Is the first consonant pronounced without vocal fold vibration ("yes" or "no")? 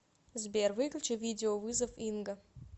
no